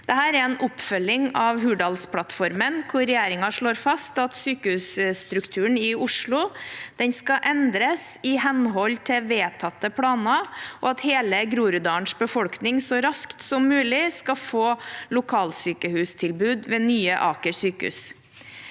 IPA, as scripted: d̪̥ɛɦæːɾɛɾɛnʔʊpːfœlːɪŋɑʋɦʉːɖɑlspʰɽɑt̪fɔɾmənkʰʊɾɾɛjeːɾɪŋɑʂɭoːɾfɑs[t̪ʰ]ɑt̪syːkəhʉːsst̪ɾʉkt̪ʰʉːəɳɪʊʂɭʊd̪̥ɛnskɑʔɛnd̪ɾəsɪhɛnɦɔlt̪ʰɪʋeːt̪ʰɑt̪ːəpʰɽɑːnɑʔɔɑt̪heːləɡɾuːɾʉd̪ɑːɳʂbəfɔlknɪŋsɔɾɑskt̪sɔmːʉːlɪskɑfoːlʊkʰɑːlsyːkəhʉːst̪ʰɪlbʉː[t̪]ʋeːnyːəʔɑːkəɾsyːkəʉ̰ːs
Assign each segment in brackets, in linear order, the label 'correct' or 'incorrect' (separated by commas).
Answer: incorrect, incorrect